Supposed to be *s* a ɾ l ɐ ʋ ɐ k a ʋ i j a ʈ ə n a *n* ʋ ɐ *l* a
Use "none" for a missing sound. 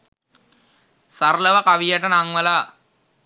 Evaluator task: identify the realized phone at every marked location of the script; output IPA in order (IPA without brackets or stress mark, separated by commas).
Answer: s, ŋ, l